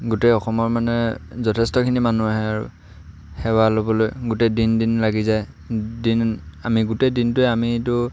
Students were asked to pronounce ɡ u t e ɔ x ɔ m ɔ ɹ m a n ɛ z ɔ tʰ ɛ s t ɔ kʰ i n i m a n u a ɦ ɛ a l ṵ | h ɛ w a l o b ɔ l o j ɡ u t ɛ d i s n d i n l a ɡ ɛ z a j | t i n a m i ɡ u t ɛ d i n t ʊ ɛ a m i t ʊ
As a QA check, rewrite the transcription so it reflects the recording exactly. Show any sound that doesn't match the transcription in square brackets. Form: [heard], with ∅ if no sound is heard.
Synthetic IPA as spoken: ɡ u t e ɔ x ɔ m ɔ ɹ m a n ɛ z ɔ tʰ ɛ s t ɔ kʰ i n i m a n u a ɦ ɛ a [ɹ] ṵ | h ɛ w a l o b ɔ l o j ɡ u t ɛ d i [∅] n d i n l a ɡ [i] z a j | [d] i n a m i ɡ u t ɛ d i n t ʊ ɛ a m i t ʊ